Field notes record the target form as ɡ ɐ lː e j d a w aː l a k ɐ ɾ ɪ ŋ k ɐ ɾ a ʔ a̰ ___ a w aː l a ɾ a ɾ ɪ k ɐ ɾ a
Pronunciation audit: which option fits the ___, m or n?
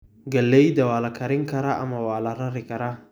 m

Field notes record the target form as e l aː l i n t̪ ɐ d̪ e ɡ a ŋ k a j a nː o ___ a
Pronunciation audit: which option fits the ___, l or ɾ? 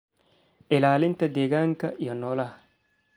l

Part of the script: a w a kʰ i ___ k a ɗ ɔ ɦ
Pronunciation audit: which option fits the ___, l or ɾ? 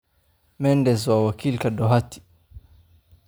l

